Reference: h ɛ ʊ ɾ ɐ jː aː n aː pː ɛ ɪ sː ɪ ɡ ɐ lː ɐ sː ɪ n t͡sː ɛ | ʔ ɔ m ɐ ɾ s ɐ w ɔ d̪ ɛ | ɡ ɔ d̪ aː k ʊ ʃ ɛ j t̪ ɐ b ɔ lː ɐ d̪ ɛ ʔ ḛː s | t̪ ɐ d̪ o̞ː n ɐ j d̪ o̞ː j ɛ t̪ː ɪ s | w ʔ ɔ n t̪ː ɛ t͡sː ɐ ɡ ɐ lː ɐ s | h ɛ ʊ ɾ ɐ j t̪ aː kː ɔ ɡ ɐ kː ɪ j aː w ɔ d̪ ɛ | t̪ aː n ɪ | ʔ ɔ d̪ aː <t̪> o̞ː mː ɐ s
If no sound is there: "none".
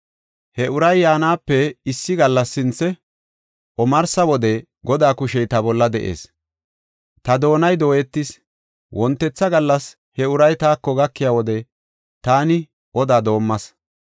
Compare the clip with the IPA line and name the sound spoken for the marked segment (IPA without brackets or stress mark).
d̪